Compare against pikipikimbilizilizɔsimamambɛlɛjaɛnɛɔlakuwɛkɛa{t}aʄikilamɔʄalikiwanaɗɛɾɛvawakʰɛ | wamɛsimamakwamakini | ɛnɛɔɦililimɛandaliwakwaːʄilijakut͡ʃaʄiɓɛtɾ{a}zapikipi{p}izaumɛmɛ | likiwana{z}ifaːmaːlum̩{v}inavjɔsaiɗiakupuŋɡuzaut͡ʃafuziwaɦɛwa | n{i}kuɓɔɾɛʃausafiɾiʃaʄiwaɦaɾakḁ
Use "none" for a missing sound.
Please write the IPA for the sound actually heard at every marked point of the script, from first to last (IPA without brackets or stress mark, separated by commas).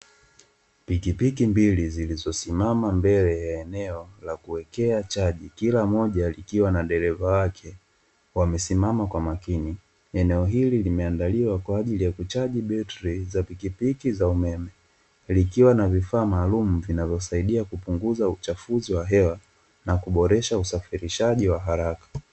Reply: t͡ʃ, i, k, v, v, a